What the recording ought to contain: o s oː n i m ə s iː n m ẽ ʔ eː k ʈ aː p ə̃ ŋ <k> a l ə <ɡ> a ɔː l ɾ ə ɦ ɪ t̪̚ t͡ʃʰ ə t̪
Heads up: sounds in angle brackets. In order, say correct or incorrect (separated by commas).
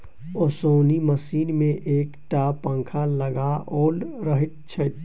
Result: incorrect, correct